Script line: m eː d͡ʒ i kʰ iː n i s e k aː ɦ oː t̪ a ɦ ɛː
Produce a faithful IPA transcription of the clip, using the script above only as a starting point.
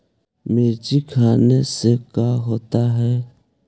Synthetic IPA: m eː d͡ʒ i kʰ aː n e s e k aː ɦ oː t̪ a ɦ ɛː